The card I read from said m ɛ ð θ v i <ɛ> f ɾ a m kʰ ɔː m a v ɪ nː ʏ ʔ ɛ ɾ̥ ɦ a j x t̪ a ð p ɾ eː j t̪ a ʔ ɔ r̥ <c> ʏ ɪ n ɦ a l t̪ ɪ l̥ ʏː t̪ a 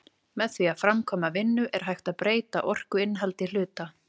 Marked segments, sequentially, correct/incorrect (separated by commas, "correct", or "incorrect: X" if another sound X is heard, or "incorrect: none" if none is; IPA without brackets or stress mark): incorrect: a, incorrect: k